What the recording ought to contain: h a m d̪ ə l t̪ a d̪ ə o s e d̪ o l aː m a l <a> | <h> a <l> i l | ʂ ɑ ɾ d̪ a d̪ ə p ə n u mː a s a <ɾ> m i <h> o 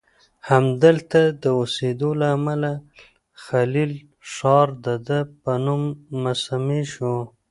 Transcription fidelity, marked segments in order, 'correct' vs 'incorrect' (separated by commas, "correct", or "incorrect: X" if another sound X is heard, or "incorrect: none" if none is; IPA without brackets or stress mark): correct, incorrect: x, correct, incorrect: none, incorrect: ʃ